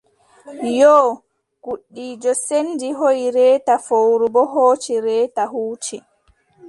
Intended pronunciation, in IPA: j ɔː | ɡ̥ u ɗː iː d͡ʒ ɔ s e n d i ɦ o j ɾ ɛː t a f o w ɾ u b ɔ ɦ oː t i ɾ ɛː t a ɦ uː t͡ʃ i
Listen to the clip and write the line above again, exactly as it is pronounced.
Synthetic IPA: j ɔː | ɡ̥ u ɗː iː d͡ʒ ɔ s e n d i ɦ o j ɾ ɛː t a f o w ɾ u b ɔ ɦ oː t͡ʃ i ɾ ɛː t a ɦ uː t͡ʃ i